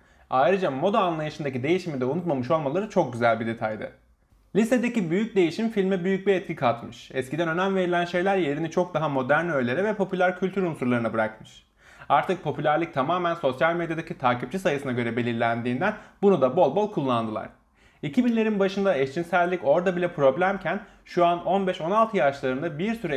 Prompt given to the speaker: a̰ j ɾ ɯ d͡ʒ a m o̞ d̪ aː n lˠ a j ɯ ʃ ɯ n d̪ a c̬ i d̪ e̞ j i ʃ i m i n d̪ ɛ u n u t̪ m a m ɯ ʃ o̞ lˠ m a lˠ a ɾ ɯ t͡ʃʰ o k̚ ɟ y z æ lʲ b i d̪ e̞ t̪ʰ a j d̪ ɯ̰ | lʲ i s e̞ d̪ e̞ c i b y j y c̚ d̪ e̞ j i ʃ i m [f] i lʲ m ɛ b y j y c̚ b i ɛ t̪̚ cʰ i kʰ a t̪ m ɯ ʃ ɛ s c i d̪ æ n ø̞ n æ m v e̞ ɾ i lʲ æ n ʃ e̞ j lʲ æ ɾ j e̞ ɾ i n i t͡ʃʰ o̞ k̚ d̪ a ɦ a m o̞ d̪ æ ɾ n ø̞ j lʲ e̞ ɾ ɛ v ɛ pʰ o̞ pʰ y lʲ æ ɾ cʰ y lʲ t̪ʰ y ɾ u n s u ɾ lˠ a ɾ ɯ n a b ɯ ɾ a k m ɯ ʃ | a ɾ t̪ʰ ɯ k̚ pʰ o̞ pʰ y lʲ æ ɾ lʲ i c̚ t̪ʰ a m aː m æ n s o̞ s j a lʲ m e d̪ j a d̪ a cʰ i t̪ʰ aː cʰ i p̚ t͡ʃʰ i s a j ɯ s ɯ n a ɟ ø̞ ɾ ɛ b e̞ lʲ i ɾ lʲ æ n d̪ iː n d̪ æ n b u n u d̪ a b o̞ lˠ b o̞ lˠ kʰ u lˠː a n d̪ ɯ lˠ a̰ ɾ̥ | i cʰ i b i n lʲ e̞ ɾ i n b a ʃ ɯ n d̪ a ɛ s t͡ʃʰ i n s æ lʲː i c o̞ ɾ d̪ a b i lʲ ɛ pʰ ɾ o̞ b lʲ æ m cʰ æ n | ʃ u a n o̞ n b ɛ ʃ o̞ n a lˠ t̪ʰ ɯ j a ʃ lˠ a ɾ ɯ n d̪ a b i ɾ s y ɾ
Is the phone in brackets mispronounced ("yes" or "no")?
no